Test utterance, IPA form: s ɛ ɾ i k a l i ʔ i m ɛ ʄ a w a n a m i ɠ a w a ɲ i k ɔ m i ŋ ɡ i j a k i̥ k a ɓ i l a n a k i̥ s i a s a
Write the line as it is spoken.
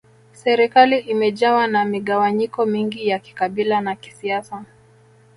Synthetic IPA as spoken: s ɛ ɾ i k a l i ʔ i m ɛ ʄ a w a n a m i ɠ a w a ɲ i k ɔ m i ŋ ɡ i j a k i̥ k a ɓ i l a n a k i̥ s i a s a